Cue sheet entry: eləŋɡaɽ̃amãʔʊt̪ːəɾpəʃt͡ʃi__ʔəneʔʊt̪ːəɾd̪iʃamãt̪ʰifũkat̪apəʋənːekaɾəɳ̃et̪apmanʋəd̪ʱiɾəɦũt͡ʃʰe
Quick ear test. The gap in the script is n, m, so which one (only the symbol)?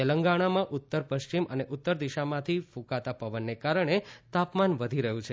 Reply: m